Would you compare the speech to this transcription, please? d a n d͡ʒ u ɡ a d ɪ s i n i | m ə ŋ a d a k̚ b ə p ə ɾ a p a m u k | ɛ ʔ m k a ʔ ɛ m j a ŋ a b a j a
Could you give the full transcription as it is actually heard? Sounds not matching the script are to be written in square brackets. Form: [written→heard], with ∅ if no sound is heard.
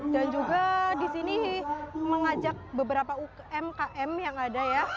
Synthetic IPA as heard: d a n d͡ʒ u ɡ a d [ɪ→i] s i n i | m ə ŋ a [d→d͡ʒ] a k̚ b ə [p→b] ə ɾ a p a [m→∅] u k | ɛ [ʔ→∅] m k a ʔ ɛ m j a ŋ a [b→d] a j a